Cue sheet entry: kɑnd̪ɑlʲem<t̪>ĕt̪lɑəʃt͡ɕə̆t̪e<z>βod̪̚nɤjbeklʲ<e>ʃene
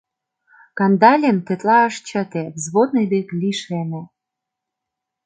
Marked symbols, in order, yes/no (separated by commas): yes, yes, no